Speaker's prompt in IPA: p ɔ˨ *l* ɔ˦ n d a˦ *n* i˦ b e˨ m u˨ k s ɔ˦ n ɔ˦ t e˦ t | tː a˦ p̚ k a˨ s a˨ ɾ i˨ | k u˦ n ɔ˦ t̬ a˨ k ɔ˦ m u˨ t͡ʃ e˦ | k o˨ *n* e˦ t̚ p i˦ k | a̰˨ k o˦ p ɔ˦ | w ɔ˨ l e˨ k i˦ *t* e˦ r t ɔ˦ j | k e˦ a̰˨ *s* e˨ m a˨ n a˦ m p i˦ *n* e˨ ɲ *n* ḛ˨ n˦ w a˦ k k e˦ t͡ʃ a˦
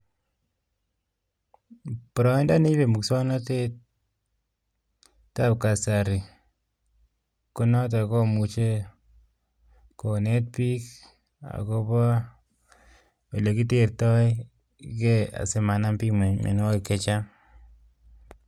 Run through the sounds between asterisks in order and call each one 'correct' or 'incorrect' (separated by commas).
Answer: incorrect, correct, correct, correct, correct, incorrect, incorrect